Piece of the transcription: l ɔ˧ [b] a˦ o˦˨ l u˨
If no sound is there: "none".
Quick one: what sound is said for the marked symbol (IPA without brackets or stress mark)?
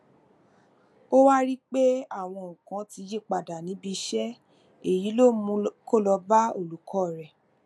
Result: b